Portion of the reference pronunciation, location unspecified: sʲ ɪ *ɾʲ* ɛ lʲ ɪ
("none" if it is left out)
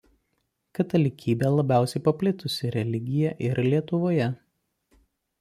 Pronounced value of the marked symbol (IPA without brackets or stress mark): ɾʲ